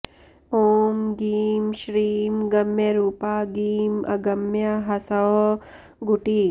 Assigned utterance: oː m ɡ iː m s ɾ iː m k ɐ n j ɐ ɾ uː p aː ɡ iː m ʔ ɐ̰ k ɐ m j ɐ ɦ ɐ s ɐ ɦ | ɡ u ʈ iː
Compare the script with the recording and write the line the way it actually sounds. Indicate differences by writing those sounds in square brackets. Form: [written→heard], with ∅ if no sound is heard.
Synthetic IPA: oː m ɡ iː m [s→ʃ] ɾ iː m [k→ɡ] ɐ [n→m] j ɐ ɾ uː p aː ɡ iː m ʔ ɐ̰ [k→ɡ] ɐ m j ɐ ɦ ɐ s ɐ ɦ | ɡ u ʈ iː